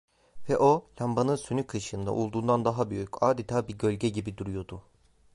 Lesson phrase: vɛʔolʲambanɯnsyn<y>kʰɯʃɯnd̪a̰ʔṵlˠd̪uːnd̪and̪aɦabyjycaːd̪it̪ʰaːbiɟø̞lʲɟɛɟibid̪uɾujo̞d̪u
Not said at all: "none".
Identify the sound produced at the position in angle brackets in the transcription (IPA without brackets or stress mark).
y